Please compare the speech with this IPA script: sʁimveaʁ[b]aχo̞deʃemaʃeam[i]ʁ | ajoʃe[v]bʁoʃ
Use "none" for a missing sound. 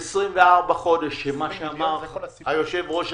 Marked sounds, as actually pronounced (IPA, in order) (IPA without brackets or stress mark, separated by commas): b, a, v